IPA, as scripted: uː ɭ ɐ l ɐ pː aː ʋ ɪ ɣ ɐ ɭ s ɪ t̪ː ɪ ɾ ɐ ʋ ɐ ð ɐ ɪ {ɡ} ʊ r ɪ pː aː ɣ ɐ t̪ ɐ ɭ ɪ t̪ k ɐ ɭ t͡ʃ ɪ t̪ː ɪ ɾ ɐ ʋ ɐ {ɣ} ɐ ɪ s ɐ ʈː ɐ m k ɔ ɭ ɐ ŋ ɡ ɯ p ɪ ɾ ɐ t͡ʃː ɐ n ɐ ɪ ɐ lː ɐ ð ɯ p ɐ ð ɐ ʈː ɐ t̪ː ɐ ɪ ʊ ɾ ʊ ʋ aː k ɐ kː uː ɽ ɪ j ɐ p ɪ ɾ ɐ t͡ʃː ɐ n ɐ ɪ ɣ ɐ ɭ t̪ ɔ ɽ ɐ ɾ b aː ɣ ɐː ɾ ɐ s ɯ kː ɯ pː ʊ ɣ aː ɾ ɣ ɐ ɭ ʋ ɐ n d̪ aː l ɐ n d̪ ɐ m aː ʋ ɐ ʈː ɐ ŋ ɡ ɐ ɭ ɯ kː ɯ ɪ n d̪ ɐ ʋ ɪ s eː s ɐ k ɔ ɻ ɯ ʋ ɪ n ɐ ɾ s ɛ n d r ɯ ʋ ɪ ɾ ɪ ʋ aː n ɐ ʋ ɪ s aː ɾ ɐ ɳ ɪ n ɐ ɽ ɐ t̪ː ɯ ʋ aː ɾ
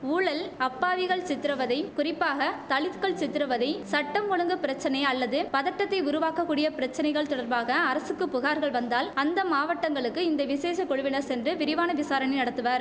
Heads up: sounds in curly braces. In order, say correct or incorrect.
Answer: incorrect, incorrect

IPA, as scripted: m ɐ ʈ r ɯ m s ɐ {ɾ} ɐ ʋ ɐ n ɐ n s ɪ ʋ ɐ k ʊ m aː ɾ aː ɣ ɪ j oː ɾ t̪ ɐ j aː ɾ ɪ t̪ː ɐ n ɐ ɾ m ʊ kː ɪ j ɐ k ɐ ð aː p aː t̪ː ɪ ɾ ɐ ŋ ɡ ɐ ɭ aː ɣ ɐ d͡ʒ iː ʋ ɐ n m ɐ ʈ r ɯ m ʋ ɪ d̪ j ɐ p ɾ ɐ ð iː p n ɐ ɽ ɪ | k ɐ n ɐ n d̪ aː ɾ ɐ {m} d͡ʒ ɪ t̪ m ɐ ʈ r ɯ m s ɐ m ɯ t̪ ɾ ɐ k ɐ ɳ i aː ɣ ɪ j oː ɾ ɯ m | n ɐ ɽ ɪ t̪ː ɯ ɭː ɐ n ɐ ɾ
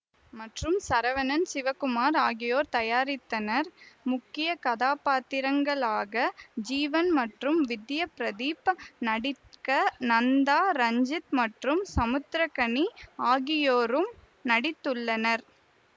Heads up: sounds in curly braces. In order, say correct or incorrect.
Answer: correct, incorrect

